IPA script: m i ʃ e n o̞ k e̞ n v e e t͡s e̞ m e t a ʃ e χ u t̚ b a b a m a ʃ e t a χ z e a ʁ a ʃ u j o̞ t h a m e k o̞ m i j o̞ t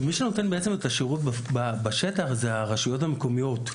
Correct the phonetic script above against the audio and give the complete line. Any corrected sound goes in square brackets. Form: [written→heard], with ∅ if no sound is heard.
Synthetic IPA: m i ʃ e n o̞ [k→t] e̞ n [v→b] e e t͡s e̞ m e t a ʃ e [χ→ʁ] u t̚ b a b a [m→b] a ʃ e t a χ z e a ʁ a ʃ u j o̞ t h a m e k o̞ m i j o̞ t